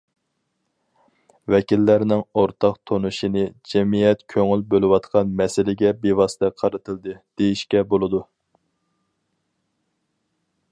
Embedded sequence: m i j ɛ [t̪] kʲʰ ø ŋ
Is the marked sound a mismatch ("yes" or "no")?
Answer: no